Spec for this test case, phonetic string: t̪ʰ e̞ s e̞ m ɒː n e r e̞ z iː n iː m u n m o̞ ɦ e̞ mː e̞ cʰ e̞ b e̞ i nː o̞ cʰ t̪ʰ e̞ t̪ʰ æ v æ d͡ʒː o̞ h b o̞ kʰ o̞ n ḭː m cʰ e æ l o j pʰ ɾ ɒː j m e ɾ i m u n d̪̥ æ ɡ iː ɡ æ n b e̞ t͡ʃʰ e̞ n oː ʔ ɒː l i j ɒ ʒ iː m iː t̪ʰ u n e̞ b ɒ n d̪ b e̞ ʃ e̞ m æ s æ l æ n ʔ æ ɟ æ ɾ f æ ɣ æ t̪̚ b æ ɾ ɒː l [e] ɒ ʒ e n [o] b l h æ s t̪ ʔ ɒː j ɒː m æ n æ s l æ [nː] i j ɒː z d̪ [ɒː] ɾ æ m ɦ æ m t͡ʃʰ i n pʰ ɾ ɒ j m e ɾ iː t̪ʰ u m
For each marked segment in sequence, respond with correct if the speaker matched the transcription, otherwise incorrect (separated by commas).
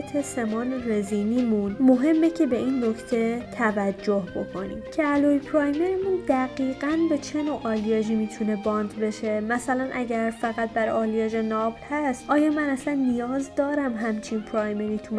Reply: incorrect, incorrect, correct, correct